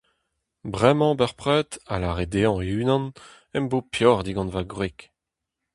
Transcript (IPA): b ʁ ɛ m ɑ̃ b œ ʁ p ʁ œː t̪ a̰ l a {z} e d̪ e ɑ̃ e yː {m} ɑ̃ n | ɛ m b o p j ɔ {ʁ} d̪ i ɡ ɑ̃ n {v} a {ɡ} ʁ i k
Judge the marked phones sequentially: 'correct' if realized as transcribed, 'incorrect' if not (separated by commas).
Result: incorrect, incorrect, correct, correct, correct